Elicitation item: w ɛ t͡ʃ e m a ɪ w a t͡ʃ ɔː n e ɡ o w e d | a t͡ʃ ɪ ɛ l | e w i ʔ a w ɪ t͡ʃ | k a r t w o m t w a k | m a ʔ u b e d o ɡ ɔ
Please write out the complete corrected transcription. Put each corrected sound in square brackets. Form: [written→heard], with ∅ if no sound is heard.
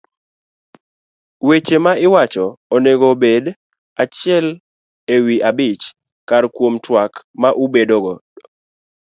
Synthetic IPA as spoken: w [ɛ→e] t͡ʃ e m a ɪ w a t͡ʃ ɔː n e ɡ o [w→b] e d | a t͡ʃ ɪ ɛ l | e w i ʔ a [w→b] ɪ t͡ʃ | k a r [t→k] w o m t w a k | m a ʔ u b e d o ɡ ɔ